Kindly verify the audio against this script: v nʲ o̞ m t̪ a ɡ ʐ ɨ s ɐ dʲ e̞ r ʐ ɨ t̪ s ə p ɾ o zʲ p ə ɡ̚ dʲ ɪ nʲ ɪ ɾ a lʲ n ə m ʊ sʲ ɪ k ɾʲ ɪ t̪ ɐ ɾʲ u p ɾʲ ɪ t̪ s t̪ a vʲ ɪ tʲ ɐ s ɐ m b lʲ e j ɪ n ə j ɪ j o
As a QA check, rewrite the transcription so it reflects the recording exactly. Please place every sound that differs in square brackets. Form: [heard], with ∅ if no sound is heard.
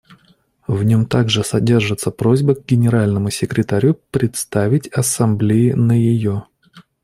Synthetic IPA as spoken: v nʲ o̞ m t̪ a ɡ ʐ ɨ s ɐ dʲ e̞ r ʐ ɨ t̪ s ə p ɾ o zʲ [b] ə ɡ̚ [ɡʲ] ɪ nʲ ɪ ɾ a lʲ n ə m ʊ sʲ ɪ k ɾʲ ɪ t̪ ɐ ɾʲ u p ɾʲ ɪ t̪ s t̪ a vʲ ɪ tʲ ɐ s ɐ m b lʲ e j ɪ n ə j ɪ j o